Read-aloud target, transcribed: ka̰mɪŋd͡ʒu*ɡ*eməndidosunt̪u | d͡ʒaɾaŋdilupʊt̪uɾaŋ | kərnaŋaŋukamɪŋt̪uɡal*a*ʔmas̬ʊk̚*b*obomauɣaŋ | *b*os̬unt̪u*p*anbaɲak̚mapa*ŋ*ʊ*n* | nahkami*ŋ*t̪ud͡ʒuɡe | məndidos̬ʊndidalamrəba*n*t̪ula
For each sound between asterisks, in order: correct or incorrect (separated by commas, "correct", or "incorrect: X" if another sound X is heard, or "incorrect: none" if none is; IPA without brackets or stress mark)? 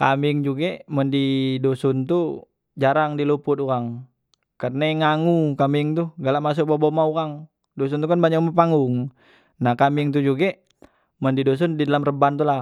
correct, correct, correct, incorrect: d, incorrect: k, correct, incorrect: ŋ, correct, correct